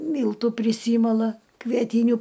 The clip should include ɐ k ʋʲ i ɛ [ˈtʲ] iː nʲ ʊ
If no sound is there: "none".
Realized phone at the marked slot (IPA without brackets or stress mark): tʲ